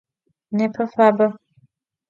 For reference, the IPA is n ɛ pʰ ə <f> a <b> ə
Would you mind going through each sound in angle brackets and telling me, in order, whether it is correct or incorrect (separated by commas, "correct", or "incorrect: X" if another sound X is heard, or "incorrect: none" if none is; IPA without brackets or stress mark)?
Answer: correct, correct